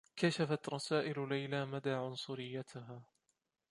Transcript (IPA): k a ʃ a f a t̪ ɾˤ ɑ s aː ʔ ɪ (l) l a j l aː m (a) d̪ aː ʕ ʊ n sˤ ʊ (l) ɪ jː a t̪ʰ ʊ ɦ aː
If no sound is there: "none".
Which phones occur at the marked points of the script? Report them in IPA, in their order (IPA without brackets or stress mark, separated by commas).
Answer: l, a, ɾ